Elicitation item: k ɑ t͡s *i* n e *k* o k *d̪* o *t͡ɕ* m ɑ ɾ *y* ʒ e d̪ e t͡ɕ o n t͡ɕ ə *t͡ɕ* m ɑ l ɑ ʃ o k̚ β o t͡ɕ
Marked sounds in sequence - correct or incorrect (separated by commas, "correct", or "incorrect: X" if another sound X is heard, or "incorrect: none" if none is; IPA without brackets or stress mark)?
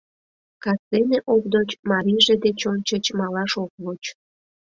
incorrect: e, incorrect: ʔ, correct, correct, incorrect: i, correct